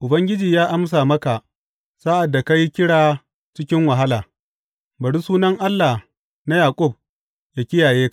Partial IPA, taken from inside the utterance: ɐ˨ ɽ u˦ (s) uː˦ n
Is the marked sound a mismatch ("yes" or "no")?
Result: no